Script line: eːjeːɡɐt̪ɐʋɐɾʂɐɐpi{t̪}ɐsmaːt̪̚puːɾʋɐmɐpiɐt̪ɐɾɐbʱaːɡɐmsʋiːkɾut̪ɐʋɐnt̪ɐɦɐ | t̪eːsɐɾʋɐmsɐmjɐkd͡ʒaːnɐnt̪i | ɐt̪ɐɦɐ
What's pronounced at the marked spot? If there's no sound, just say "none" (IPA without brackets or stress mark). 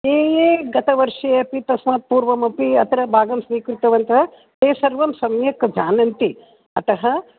t̪